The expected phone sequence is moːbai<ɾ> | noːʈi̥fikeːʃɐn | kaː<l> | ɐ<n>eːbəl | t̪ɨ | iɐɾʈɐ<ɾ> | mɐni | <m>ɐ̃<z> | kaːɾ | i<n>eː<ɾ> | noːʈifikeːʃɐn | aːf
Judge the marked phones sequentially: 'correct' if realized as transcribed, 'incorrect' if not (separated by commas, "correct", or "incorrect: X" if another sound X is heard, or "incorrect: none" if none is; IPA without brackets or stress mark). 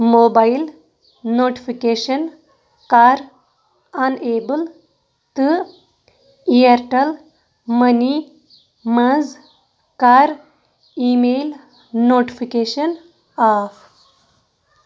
incorrect: l, incorrect: ɾ, correct, incorrect: l, correct, correct, incorrect: m, incorrect: l